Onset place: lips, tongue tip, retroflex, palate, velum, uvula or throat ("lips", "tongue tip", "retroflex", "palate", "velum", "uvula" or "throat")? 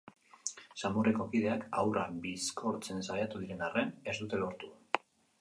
tongue tip